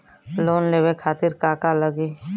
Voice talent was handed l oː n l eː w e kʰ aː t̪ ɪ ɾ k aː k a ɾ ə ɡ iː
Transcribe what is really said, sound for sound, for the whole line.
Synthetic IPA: l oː n l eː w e kʰ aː t̪ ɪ ɾ k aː k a l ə ɡ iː